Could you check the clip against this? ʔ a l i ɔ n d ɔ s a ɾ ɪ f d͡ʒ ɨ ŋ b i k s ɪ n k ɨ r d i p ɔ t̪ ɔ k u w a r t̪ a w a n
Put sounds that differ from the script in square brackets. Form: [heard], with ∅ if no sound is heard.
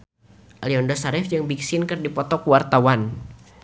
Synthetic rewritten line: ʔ a l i ɔ n d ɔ s a ɾ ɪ f d͡ʒ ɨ ŋ b i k s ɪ n k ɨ r d i p ɔ t̪ ɔ k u w a r t̪ a w a n